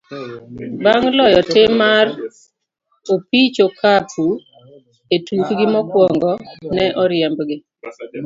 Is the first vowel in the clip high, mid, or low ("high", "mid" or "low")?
low